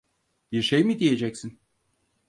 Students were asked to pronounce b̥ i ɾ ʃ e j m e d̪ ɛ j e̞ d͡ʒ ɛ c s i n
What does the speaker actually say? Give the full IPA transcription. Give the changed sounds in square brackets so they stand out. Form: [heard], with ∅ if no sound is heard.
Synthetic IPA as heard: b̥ i ɾ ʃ e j m [i] d̪ [i] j e̞ d͡ʒ ɛ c s i n